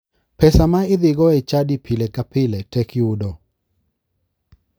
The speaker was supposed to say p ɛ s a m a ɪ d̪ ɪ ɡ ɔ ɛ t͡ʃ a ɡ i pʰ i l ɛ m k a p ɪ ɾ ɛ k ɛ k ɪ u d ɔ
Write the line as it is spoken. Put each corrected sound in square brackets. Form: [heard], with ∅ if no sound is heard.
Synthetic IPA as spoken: p ɛ s a m a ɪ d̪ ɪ ɡ ɔ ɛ t͡ʃ a [d] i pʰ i l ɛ [∅] k a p ɪ [l] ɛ [t] ɛ k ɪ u d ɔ